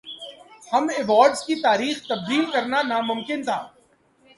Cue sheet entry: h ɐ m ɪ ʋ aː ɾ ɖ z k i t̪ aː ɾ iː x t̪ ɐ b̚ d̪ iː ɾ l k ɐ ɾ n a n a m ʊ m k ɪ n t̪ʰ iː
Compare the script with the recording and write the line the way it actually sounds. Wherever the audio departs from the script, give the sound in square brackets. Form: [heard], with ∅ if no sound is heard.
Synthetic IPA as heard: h ɐ m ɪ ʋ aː ɾ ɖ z k i t̪ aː ɾ iː x t̪ ɐ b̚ d̪ iː [∅] l k ɐ ɾ n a n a m ʊ m k ɪ n t̪ʰ [aː]